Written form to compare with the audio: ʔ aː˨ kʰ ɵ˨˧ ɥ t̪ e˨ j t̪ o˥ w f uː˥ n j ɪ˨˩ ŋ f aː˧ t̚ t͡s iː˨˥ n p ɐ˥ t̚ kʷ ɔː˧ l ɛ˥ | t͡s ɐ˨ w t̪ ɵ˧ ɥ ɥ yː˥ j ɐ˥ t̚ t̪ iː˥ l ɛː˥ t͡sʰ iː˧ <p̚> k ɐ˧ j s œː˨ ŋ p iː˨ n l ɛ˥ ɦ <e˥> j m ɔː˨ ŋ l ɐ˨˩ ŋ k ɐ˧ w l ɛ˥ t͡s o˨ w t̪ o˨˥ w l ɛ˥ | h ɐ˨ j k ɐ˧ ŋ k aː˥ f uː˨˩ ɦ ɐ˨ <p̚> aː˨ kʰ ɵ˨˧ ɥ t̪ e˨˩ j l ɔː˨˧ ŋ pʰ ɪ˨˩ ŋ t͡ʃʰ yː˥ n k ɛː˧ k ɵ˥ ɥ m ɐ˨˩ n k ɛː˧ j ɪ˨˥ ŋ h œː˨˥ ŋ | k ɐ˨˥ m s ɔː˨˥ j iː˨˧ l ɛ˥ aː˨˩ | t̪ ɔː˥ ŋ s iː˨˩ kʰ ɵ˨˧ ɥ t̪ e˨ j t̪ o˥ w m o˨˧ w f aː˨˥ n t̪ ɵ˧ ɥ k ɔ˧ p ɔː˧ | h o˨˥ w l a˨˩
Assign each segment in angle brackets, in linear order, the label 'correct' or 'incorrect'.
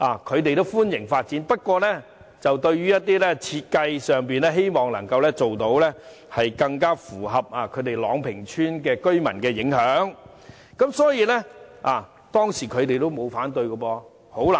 incorrect, correct, correct

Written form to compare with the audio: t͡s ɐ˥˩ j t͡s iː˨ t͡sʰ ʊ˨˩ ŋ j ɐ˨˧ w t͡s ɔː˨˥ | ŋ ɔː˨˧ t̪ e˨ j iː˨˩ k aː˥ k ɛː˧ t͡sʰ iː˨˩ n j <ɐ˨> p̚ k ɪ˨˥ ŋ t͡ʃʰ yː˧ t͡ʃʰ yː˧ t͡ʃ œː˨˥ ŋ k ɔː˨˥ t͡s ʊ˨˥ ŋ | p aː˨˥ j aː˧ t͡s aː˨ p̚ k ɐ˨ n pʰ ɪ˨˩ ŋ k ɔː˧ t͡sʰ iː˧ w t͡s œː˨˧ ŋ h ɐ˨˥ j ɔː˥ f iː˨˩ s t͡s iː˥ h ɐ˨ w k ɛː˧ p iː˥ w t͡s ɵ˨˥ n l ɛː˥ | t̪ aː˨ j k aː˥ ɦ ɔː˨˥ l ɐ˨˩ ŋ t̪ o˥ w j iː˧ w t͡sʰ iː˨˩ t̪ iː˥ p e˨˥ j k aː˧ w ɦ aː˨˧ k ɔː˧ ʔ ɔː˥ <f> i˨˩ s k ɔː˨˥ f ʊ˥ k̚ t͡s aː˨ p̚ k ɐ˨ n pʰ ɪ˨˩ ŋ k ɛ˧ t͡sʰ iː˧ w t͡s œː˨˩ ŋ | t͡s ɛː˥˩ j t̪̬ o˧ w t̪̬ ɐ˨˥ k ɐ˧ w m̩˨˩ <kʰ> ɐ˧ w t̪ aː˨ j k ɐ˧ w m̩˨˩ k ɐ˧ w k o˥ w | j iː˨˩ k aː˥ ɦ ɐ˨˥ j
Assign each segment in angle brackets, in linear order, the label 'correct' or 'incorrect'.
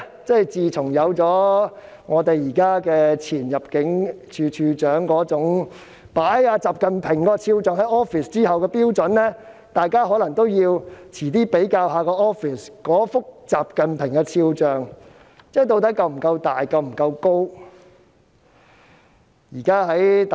correct, correct, incorrect

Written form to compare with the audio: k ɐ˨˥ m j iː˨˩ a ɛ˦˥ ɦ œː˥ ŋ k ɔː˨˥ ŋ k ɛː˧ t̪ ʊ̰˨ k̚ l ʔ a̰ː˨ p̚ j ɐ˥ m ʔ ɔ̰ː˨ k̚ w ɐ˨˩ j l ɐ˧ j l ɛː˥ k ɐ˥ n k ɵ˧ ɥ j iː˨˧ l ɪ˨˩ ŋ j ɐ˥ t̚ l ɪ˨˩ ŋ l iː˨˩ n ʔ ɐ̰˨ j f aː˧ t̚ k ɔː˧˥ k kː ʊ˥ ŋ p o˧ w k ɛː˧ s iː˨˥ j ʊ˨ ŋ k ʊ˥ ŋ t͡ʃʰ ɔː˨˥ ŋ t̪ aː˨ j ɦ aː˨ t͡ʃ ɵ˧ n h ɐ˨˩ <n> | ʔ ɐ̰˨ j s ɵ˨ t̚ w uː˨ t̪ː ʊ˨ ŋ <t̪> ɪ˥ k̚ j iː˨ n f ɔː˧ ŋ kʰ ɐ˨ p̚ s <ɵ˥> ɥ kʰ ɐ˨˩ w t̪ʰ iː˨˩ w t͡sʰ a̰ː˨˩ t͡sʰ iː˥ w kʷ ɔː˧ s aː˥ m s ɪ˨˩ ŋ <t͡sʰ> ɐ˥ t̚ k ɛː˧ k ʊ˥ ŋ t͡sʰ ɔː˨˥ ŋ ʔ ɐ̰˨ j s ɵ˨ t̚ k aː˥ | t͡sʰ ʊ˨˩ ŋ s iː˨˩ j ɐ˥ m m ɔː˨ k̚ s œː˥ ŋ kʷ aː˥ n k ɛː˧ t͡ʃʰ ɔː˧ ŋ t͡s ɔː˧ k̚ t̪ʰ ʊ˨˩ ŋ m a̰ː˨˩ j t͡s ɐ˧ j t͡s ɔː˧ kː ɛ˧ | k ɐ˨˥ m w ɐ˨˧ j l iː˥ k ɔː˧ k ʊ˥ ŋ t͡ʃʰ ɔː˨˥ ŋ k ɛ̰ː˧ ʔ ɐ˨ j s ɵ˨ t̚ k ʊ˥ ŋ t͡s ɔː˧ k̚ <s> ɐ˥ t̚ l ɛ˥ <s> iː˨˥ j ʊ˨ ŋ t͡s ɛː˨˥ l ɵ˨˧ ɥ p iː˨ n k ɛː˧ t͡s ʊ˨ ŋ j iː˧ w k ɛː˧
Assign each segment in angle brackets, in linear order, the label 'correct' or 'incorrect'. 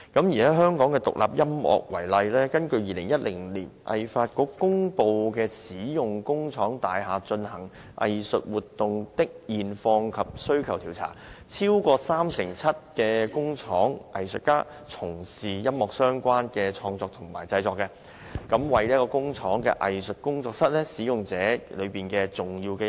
incorrect, correct, correct, correct, correct, correct

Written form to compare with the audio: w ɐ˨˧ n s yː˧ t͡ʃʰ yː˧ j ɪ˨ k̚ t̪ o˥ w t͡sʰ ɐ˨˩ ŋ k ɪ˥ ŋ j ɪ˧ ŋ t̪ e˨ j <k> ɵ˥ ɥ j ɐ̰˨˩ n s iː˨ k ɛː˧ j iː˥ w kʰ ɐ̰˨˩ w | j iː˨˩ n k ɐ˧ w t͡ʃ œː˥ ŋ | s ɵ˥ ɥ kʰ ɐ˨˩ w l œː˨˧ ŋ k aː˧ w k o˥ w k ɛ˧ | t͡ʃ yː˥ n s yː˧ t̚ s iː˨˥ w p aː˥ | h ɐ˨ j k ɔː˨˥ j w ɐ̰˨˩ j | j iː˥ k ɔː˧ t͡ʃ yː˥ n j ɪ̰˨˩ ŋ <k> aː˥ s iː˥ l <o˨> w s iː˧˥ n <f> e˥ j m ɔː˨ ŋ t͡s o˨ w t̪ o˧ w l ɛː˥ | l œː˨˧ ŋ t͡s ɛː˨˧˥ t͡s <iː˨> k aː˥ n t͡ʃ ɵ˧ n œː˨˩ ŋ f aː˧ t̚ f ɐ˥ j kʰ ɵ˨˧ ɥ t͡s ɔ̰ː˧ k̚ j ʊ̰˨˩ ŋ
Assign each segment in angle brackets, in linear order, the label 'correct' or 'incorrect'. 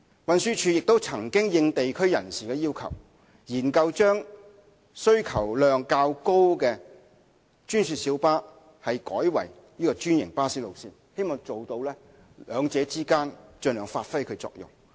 incorrect, incorrect, correct, incorrect, incorrect

